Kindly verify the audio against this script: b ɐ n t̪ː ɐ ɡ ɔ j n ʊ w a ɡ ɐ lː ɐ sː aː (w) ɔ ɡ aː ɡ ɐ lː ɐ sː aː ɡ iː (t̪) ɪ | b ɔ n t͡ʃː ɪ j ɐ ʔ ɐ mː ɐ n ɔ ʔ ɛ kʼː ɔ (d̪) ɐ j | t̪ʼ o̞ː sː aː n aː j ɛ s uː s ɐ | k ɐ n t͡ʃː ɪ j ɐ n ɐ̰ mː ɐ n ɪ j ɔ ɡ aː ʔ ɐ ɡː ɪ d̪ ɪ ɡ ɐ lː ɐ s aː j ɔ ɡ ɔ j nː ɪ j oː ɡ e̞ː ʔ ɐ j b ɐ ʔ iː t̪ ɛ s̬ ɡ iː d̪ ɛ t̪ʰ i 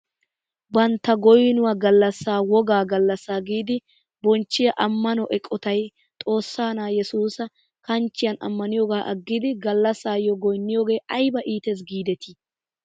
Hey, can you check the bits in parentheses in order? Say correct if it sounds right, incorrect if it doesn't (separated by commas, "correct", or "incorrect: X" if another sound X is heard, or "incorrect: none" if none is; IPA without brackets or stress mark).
correct, incorrect: d̪, incorrect: t̪